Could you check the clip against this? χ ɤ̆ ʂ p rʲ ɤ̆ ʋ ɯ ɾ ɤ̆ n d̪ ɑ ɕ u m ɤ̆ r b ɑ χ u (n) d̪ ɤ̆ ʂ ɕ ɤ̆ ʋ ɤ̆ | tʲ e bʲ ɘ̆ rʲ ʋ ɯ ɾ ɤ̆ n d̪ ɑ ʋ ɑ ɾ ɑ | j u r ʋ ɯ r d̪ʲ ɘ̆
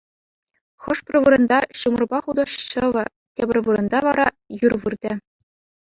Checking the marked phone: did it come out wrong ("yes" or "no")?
yes